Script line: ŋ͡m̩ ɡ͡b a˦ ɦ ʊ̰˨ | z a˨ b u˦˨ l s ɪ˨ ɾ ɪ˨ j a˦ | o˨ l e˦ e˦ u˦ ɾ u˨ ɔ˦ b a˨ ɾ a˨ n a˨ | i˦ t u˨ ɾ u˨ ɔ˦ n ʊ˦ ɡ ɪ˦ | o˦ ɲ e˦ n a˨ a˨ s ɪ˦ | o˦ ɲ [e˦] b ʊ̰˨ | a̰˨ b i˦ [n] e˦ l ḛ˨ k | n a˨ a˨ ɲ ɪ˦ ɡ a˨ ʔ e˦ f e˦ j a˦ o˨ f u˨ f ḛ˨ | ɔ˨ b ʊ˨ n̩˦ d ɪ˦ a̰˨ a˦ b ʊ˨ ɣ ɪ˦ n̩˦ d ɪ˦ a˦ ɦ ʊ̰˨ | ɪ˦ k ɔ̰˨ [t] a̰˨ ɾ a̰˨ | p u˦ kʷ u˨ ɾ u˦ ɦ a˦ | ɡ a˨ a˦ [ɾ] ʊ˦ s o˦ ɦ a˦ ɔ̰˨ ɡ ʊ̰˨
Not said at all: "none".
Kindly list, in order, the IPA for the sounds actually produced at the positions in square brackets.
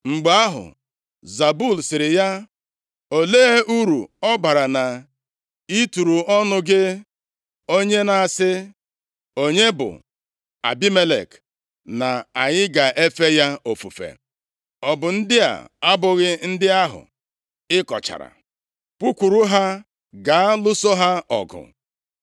e˦, m, t͡ʃ, l

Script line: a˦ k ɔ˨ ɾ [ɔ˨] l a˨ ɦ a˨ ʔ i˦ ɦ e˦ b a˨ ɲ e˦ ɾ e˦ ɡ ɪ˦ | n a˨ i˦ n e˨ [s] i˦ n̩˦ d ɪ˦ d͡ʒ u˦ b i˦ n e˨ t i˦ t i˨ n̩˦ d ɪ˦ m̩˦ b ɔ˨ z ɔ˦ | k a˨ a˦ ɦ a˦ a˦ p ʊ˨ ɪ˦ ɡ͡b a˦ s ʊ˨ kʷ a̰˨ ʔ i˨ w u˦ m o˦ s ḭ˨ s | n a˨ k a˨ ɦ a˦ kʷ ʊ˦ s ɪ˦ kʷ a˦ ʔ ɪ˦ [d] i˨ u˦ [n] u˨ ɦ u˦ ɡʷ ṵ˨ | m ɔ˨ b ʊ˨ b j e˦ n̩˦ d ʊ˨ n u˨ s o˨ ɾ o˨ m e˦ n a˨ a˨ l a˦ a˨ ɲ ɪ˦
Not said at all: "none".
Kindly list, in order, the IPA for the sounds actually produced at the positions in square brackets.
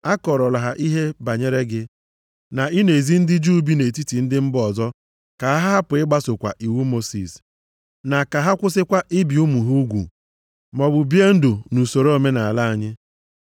ɔ˨, z, b, m

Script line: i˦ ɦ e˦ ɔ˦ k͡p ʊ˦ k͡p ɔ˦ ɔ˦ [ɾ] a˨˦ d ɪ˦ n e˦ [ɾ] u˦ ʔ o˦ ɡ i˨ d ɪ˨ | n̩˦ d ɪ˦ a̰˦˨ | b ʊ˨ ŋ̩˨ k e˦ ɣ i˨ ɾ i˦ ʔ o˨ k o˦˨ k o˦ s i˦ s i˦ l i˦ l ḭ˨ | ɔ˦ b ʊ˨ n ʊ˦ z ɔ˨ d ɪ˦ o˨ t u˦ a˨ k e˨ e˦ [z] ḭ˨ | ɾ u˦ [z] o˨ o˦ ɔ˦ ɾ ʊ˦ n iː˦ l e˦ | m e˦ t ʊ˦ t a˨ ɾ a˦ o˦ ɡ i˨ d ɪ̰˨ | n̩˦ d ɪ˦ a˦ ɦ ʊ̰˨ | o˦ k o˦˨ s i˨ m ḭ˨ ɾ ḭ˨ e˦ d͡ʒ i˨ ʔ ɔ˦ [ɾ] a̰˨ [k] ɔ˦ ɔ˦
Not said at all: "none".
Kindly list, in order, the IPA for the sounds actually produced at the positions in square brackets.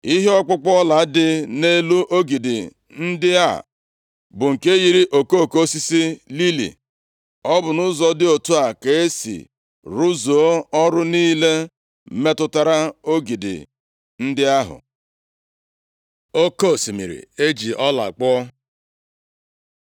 l, l, s, z, l, k͡p

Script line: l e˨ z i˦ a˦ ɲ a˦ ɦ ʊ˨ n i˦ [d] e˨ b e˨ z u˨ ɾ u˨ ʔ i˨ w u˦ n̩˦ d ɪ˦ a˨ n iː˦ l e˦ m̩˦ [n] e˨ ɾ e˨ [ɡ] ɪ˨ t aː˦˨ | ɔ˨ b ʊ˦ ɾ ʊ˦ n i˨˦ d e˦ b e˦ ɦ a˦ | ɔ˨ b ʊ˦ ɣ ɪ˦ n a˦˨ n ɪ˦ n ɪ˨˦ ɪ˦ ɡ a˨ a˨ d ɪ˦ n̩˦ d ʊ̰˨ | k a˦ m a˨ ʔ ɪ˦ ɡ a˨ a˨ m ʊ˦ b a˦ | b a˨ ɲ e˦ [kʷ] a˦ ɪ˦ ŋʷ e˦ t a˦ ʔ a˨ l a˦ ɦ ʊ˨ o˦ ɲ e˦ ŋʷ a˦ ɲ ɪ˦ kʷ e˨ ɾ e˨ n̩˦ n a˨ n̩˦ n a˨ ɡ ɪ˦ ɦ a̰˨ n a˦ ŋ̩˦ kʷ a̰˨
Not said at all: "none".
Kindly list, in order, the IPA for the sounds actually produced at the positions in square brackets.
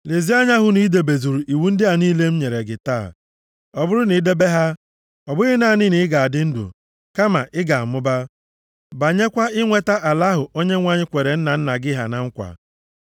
d, ɲ, ɡ, kʷ

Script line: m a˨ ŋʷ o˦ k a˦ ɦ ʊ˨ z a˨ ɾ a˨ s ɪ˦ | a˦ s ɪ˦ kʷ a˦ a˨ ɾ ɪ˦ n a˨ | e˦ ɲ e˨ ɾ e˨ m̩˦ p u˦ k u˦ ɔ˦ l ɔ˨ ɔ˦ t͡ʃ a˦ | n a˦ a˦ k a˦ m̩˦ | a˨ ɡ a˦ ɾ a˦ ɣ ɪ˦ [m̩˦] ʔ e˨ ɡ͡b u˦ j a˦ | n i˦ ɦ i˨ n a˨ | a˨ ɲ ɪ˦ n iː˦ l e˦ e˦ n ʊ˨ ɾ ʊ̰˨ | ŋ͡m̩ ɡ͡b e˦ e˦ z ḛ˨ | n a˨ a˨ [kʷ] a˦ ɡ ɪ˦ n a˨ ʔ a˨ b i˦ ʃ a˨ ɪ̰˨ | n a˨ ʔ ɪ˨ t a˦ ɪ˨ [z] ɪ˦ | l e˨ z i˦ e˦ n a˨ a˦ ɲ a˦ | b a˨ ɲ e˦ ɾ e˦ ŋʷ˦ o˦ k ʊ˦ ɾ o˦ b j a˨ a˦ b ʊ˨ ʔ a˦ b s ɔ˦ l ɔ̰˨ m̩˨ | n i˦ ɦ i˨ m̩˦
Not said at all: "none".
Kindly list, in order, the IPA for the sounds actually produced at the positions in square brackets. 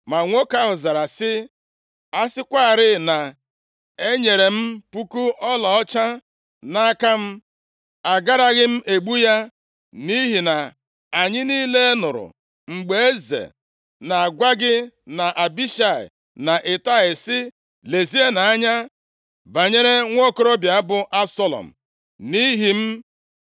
m̩˦, ɡʷ, s

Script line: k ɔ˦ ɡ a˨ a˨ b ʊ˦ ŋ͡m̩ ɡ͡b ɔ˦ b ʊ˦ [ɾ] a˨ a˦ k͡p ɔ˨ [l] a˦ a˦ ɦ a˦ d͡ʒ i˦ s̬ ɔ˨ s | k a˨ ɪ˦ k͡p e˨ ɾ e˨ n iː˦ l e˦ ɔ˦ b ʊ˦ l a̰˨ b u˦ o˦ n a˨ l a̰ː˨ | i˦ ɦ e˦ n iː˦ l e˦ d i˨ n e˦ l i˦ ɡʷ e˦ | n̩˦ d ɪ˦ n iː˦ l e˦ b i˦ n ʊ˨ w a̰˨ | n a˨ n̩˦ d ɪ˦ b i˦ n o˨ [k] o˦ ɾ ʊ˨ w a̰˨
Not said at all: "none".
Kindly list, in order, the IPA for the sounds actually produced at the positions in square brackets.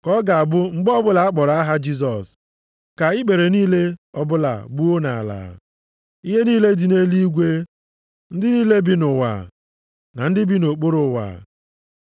l, ɾ, k͡p

